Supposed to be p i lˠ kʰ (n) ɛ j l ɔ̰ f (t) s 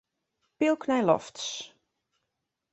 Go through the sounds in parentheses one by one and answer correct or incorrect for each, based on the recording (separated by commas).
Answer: correct, correct